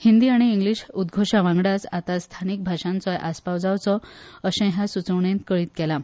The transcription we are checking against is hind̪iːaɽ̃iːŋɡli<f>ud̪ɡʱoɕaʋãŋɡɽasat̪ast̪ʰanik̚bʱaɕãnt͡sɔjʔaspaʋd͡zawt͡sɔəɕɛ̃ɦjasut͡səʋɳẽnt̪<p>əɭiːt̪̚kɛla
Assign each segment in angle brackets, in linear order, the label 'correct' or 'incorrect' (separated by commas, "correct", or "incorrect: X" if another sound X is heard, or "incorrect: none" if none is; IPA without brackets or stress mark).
incorrect: ɕ, incorrect: k